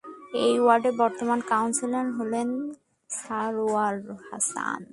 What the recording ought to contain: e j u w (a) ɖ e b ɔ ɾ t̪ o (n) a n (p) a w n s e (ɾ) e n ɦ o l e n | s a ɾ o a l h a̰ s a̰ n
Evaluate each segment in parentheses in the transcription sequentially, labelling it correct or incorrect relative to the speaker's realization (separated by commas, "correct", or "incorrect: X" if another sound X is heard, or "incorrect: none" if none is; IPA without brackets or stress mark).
correct, incorrect: m, incorrect: k, incorrect: l